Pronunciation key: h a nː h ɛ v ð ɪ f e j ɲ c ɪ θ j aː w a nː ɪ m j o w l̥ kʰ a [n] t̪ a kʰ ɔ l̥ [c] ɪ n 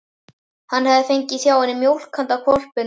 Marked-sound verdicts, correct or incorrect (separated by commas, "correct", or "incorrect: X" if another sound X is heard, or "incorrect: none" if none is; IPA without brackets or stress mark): correct, incorrect: p